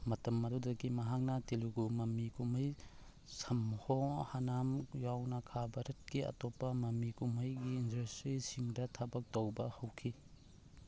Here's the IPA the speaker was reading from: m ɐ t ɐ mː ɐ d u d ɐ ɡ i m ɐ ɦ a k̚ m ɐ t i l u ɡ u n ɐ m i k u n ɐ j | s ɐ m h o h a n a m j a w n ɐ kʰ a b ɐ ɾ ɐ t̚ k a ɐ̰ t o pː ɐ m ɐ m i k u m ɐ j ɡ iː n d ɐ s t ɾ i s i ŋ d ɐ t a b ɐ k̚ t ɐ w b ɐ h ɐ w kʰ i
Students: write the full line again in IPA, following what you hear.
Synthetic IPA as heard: m ɐ t ɐ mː ɐ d u d ɐ ɡ i m ɐ ɦ a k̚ n ɐ t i l u ɡ u m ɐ m i k u m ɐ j | s ɐ m h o h a n a m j a w n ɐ kʰ a b ɐ ɾ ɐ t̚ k i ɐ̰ t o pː ɐ m ɐ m i k u m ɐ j ɡ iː n d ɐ s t ɾ i s i ŋ d ɐ tʰ a b ɐ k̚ t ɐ w b ɐ h ɐ w kʰ i